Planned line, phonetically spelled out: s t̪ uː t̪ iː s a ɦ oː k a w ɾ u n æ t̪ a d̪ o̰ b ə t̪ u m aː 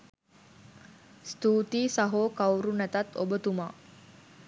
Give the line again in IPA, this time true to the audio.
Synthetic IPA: s t̪ uː t̪ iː s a ɦ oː k a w ɾ u n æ t̪ a t̪ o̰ b ə t̪ u m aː

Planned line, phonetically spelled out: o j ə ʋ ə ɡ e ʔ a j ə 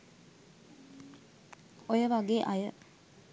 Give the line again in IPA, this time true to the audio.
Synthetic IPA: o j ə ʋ a ɡ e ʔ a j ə

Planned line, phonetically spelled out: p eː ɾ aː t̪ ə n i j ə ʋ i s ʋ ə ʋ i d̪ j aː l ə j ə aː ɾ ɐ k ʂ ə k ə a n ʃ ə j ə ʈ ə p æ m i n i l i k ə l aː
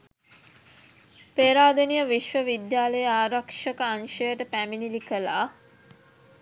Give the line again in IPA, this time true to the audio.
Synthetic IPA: p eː ɾ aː d̪ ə n i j ə ʋ i ʃ ʋ ə ʋ i d̪ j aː l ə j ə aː ɾ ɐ k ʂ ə k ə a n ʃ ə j ə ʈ ə p æ m i n i l i k ə l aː

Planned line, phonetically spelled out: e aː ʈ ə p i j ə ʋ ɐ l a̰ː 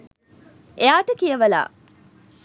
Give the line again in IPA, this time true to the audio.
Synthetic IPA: e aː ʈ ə k i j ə ʋ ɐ l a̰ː

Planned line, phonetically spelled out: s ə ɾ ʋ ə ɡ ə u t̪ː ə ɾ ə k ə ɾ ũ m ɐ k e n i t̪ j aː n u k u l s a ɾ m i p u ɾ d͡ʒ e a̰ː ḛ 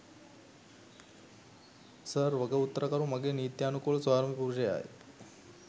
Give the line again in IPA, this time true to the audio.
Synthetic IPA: s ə ɾ ʋ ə ɡ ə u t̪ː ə ɾ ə k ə ɾ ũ m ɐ ɡ e n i t̪ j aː n u k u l s a ɾ m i p u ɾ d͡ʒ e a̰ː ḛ

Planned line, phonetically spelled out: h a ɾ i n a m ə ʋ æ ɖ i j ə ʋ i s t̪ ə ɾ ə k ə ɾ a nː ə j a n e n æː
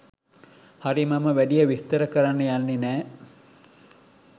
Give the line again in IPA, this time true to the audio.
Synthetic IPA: h a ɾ i m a m ə ʋ æ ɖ i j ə ʋ i s t̪ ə ɾ ə k ə ɾ a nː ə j a nː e n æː

